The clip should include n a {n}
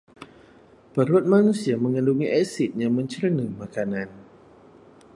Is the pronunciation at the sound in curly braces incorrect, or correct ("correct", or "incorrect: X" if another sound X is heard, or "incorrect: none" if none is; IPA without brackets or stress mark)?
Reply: correct